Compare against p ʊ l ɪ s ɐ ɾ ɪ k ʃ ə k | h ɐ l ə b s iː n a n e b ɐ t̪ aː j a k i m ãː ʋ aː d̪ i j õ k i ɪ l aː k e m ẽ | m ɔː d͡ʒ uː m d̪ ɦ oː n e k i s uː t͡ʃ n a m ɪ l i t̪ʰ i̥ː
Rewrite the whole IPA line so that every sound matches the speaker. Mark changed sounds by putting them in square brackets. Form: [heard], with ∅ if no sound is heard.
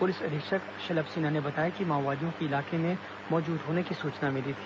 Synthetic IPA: p ʊ l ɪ s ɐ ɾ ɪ k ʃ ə k | [ʃ] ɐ l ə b s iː n a n e b ɐ t̪ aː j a k i m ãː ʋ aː d̪ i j õ k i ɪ l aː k e m ẽ | m ɔː d͡ʒ uː [∅] d̪ ɦ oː n e k i s uː t͡ʃ n a m ɪ l i t̪ʰ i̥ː